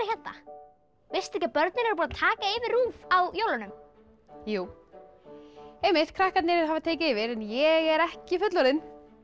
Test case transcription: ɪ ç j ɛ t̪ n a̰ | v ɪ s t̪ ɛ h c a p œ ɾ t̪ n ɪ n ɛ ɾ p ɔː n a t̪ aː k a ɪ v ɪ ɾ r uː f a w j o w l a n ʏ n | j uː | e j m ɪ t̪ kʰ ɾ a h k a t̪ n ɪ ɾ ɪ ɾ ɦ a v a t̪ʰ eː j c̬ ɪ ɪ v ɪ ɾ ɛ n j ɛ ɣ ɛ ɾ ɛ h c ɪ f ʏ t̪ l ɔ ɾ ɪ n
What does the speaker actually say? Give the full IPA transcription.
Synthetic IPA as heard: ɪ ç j ɛ t̪ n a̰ | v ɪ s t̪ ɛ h c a p œ ɾ t̪ n ɪ n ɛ ɾ p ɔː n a t̪ʰ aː k a ɪ v ɪ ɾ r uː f a w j o w l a n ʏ m | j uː | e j m ɪ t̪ kʰ ɾ a h k a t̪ n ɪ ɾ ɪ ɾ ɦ a v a t̪ʰ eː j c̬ ɪ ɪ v ɪ ɾ ɛ n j ɛ ɣ ɛ ɾ ɛ h c ɪ f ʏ t̪ l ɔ ɾ ɪ n